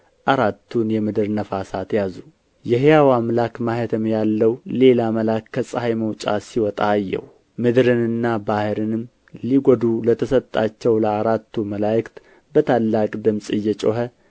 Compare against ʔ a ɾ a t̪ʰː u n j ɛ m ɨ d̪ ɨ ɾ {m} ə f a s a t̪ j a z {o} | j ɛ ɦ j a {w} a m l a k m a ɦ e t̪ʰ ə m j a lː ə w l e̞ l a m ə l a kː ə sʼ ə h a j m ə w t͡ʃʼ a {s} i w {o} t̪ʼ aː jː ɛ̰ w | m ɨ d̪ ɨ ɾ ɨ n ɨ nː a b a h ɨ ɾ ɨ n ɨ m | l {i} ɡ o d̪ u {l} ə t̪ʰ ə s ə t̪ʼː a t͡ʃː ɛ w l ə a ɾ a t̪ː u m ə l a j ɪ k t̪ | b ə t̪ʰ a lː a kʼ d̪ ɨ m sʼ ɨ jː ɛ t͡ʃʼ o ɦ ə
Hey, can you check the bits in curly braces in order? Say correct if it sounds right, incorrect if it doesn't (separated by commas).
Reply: incorrect, incorrect, correct, correct, incorrect, correct, correct